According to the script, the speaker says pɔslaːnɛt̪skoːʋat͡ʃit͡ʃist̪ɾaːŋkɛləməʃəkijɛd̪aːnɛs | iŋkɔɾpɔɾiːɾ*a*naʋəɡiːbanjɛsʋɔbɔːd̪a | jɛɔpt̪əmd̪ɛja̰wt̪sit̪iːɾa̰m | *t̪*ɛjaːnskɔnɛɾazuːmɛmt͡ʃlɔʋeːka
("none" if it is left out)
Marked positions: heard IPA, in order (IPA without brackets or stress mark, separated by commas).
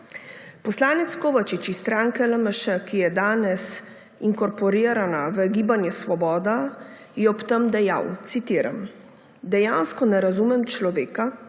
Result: a, d̪